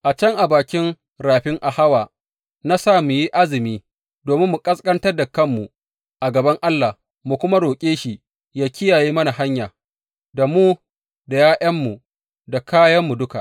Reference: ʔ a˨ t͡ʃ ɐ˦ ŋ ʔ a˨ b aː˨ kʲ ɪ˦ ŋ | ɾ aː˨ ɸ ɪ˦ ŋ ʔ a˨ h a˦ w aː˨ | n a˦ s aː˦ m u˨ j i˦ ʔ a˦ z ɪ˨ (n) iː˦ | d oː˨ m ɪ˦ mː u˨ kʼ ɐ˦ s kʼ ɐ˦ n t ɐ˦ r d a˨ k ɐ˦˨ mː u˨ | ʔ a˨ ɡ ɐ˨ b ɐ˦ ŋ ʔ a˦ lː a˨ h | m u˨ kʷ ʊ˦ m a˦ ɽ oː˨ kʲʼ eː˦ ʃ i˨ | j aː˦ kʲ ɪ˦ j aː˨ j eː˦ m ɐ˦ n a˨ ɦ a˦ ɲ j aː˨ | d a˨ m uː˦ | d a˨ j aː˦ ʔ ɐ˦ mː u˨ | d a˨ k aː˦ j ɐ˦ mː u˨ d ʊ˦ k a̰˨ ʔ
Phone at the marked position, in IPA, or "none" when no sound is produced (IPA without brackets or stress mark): m